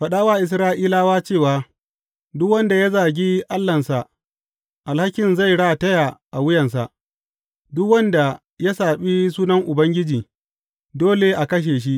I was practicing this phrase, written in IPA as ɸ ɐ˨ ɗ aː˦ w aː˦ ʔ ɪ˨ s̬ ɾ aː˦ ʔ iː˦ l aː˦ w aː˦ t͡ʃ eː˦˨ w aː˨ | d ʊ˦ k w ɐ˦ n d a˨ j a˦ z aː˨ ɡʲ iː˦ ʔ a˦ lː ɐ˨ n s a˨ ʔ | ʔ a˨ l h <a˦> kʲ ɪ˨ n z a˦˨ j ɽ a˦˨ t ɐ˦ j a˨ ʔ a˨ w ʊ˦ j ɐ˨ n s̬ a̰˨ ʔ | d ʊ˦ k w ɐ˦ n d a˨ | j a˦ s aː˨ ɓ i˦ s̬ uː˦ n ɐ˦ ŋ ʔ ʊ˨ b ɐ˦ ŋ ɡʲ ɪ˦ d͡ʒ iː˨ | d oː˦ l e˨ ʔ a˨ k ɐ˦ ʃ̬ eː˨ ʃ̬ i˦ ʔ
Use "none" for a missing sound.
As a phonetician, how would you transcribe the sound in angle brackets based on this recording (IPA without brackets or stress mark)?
a˦